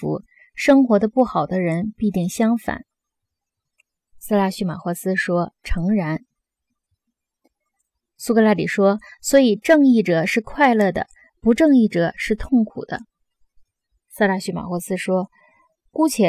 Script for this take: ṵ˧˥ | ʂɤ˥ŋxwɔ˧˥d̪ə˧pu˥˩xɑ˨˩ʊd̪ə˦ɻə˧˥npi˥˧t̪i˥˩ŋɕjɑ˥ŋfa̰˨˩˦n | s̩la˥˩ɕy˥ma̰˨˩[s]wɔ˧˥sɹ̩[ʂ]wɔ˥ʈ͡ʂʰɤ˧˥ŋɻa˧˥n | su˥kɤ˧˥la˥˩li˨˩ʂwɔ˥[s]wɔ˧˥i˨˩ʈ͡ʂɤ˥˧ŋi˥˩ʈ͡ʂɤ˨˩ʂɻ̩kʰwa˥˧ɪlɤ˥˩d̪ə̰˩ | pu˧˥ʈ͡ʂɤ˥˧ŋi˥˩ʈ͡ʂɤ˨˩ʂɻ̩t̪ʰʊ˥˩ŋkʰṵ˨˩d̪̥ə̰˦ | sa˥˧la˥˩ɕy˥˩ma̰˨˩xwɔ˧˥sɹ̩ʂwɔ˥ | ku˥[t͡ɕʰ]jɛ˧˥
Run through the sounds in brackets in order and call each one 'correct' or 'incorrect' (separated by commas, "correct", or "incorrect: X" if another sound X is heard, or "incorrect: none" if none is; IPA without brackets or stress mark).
incorrect: x, correct, correct, correct